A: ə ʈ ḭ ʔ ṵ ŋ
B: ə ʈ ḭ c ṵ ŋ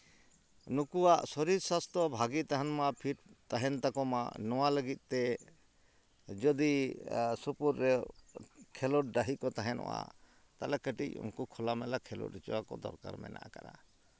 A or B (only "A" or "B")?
B